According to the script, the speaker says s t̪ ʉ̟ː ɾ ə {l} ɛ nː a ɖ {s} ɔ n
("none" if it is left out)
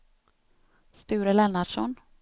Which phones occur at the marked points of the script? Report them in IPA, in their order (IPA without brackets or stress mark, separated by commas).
l, ʂ